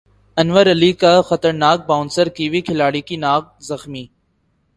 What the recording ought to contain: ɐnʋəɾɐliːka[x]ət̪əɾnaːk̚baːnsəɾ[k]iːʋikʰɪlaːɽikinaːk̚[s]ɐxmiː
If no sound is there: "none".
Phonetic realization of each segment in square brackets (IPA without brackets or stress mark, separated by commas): x, k, z